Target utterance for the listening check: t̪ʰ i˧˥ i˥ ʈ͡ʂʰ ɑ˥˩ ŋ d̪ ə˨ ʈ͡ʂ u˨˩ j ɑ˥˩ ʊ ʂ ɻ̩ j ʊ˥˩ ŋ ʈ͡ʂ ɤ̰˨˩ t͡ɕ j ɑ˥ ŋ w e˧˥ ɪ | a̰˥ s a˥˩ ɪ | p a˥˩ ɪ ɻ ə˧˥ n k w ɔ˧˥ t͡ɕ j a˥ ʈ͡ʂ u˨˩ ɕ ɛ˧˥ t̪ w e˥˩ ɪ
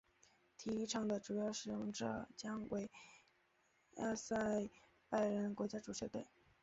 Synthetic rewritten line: t̪ʰ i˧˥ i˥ ʈ͡ʂʰ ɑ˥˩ ŋ d̪ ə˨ ʈ͡ʂ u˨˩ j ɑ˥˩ ʊ ʂ ɻ̩ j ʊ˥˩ ŋ ʈ͡ʂ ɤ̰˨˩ t͡ɕ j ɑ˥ ŋ w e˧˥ ɪ | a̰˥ s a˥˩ ɪ | p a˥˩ ɪ ɻ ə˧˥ n k w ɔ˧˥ t͡ɕ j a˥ ʈ͡ʂ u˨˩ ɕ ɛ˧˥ t̪ w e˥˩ ɪ